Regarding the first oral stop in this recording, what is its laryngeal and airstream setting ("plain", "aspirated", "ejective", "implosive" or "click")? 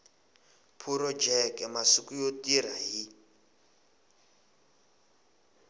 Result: aspirated